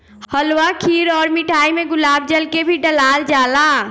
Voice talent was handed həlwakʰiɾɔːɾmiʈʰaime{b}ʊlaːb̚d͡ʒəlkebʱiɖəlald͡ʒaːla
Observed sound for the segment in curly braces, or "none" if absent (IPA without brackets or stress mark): ɡ